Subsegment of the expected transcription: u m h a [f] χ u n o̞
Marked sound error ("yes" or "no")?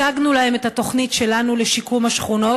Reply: yes